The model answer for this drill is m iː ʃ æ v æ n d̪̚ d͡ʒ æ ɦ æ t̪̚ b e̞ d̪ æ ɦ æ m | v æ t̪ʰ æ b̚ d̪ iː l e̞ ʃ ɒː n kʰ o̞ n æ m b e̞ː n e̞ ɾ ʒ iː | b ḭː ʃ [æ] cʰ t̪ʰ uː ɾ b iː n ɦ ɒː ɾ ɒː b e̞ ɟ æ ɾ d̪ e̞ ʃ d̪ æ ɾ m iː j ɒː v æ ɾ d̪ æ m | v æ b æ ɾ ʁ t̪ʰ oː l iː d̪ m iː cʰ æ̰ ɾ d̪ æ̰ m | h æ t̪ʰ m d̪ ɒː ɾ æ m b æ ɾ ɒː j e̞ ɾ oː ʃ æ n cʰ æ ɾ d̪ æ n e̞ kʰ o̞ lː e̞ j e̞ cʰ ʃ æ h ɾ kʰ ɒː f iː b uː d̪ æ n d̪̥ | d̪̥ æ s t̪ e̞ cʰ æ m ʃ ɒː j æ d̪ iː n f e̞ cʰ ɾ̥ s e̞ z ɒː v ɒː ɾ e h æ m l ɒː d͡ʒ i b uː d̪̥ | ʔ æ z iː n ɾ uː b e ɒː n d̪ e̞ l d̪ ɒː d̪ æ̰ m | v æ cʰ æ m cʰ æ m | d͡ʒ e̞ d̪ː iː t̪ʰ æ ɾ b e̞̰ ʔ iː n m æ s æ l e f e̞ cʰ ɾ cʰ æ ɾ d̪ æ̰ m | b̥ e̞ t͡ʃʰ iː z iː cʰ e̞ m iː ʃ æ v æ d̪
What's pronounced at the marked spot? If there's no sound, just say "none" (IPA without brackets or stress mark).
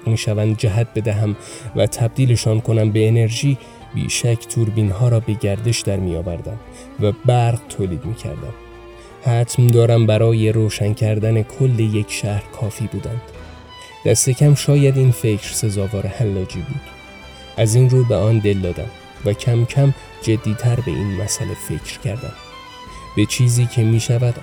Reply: æ